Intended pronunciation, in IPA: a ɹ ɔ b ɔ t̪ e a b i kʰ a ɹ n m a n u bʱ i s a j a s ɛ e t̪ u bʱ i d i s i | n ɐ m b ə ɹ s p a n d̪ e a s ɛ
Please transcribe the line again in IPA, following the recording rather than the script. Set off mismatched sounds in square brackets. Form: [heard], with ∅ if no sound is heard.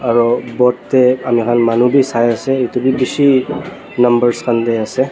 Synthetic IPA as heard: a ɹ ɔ b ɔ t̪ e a [m] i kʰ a [∅] n m a n u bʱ i s a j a s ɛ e t̪ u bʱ i [b] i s i | n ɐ m b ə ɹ s [k] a n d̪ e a s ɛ

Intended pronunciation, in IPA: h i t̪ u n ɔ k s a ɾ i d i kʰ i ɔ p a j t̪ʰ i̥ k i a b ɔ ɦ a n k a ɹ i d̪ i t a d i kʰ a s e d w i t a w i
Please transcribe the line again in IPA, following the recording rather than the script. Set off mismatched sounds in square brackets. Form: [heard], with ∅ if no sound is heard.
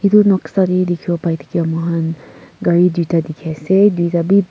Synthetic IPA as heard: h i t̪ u n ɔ k s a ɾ i d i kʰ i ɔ p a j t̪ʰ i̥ k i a [m] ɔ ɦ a n [ɡ] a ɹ i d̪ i t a d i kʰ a s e d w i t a [b] i

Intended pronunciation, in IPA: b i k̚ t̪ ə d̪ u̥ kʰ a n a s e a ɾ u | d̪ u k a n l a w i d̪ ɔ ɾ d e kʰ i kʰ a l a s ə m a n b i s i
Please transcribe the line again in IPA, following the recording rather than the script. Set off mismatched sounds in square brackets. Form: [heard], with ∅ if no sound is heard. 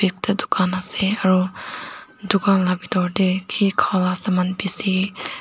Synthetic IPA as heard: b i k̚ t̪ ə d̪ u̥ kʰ a n a s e a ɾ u | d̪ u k a n l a [b] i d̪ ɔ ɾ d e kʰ i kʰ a l a s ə m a n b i s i

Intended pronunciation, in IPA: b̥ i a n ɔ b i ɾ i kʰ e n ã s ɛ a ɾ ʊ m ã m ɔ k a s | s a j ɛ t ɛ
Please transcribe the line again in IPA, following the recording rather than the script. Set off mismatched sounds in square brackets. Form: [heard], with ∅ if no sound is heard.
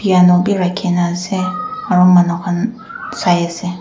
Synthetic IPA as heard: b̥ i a n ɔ b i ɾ [a] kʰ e n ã s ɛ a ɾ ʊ m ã [n] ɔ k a [∅] | s a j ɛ [s] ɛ

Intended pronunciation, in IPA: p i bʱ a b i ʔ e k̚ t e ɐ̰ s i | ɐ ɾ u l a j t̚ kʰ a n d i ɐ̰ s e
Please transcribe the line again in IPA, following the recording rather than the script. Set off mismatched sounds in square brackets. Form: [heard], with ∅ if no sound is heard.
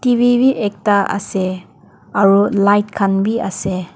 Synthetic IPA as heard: [t] i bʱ [i] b i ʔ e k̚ t [a] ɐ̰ s [e] | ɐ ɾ u l a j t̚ kʰ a n [b] i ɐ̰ s e

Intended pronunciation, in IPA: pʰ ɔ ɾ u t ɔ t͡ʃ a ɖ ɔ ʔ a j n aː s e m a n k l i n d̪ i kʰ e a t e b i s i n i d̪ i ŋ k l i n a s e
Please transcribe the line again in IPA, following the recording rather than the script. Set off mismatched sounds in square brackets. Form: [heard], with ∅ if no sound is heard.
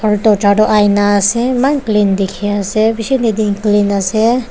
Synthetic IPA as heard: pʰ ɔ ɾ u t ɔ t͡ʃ a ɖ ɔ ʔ a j n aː s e m a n k l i n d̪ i kʰ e a [s] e b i s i n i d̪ i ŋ k l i n a s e

